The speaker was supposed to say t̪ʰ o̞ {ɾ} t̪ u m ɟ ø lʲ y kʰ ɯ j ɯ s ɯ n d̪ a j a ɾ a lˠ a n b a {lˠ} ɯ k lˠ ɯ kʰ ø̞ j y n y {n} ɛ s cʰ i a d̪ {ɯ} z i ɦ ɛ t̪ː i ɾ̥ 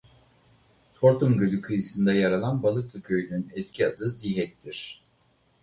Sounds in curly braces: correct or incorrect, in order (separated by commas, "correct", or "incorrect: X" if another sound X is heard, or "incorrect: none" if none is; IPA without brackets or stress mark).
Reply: correct, correct, correct, correct